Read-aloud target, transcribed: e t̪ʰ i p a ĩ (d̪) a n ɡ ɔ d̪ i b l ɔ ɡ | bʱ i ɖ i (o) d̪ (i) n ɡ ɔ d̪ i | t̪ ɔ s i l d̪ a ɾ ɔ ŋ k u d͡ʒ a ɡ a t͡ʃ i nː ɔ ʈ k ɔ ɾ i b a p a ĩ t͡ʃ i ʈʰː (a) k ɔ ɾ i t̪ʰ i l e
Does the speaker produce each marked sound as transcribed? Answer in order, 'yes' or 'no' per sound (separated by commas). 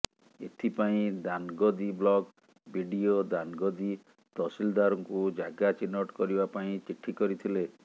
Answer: yes, yes, no, no